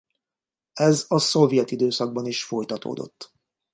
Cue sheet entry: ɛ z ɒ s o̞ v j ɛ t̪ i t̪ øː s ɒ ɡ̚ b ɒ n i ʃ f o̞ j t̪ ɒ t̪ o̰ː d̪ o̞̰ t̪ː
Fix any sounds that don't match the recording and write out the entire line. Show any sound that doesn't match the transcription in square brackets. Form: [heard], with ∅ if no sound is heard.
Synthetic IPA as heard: ɛ z ɒ s o̞ v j ɛ t̪ i [d̪] øː s ɒ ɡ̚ b ɒ n i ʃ f o̞ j t̪ ɒ t̪ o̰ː d̪ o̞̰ t̪ː

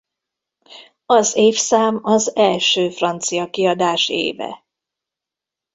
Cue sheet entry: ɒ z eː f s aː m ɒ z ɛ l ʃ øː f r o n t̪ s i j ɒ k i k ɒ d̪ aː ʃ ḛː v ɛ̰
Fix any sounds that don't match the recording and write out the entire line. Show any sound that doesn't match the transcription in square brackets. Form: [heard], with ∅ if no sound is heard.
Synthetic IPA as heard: ɒ z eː f s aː m ɒ z ɛ l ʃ øː f r [ɒ] n t̪ s i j ɒ k i [∅] ɒ d̪ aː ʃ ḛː v ɛ̰

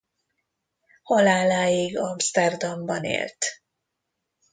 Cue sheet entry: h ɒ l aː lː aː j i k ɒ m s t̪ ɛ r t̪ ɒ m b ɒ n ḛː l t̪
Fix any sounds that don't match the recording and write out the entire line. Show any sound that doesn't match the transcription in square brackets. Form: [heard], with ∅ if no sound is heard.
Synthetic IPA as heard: h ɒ l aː [l] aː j i [ɡ] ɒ m s t̪ ɛ r [d̪] ɒ m b ɒ n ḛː l t̪

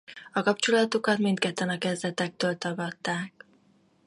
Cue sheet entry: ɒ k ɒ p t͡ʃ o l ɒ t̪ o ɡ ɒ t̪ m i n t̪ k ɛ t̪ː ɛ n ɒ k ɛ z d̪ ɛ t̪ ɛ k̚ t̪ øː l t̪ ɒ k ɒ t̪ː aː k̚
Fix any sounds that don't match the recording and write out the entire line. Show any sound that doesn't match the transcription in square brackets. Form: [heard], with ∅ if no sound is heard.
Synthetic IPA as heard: ɒ k ɒ p t͡ʃ o l ɒ t̪ o [k] ɒ t̪ m i n t̪ k ɛ t̪ː ɛ n ɒ k ɛ z d̪ ɛ t̪ ɛ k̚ t̪ øː l t̪ ɒ [ɡ] ɒ t̪ː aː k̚

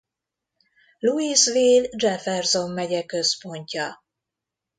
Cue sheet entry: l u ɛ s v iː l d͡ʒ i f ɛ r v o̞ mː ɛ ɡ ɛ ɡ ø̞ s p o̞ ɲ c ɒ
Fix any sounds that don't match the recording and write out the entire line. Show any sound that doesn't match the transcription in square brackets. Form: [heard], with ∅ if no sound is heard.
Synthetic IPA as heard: l u [i] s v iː l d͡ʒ [ɛ] f ɛ r [z] o̞ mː ɛ [ɟ] ɛ [k] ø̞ s p o̞ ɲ c ɒ

